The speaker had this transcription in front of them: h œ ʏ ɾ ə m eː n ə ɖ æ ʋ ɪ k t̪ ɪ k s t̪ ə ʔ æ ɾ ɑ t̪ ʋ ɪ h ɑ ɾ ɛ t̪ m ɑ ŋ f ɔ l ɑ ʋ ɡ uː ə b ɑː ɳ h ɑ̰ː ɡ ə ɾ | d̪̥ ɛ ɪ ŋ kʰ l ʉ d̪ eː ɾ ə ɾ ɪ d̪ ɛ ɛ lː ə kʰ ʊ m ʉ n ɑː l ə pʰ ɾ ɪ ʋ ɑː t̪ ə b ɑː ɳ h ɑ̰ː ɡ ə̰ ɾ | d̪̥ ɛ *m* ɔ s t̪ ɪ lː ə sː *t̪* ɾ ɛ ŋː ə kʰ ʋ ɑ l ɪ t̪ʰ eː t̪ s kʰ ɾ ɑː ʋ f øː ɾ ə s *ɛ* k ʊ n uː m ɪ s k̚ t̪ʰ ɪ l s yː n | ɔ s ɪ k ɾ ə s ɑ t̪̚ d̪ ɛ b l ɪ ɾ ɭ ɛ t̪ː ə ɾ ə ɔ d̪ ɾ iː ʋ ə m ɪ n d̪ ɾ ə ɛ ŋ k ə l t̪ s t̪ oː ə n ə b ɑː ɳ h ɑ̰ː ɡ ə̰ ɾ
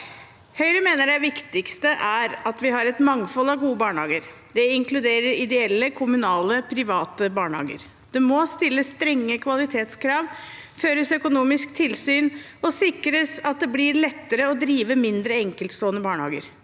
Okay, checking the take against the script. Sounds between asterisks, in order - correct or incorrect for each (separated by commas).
correct, correct, incorrect